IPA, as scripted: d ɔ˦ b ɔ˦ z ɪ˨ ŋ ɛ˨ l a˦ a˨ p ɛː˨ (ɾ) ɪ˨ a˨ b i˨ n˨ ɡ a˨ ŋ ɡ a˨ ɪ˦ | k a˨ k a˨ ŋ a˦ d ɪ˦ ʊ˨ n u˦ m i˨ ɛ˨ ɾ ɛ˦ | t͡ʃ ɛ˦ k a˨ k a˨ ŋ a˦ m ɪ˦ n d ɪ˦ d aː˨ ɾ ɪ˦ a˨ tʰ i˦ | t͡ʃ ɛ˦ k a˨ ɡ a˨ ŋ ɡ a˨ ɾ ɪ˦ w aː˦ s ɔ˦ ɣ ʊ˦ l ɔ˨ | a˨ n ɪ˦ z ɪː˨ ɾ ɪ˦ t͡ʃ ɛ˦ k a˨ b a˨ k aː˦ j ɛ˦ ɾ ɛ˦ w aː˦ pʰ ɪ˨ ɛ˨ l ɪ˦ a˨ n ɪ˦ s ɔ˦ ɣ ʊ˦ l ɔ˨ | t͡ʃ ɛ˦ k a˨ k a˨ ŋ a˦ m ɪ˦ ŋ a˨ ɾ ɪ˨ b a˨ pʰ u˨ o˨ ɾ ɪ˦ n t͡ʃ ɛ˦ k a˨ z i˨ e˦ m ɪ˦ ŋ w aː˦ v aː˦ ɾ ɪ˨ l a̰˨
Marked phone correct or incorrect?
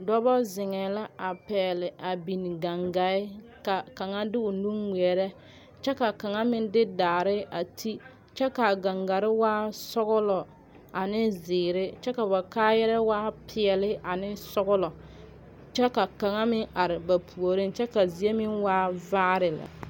incorrect